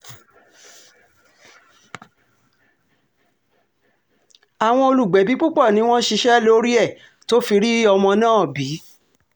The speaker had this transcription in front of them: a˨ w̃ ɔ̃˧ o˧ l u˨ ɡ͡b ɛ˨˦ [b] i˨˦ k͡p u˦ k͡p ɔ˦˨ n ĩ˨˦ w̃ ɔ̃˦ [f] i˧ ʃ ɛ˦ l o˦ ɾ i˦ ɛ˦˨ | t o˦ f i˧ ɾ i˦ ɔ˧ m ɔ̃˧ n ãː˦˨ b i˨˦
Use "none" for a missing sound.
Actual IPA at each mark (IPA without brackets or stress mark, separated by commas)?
b, ʃ